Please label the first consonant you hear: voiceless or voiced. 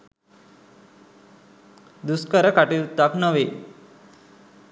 voiced